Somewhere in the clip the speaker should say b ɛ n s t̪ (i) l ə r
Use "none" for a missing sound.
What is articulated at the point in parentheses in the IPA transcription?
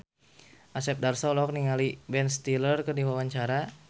i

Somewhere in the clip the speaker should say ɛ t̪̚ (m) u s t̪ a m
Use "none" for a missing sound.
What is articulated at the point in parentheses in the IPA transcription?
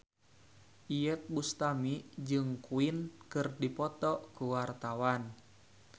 b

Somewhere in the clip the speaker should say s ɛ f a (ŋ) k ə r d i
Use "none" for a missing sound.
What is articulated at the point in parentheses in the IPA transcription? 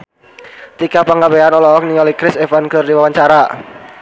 n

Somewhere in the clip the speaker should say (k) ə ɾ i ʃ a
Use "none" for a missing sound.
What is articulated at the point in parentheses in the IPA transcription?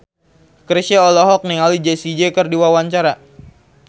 k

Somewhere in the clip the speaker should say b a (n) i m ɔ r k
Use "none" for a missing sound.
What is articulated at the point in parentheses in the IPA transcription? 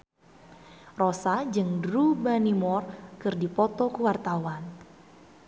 n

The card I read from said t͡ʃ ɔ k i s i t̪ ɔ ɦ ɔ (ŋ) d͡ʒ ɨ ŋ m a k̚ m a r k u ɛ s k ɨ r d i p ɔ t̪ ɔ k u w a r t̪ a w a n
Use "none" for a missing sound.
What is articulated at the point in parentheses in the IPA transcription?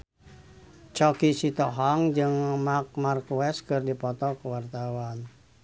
ŋ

